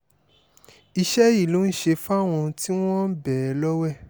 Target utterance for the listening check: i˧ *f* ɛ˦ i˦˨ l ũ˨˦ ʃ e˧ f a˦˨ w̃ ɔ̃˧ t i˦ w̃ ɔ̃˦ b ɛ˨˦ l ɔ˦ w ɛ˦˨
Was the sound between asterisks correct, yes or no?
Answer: no